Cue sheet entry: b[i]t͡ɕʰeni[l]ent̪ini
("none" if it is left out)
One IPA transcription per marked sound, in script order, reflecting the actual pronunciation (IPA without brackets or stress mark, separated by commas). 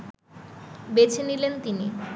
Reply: e, l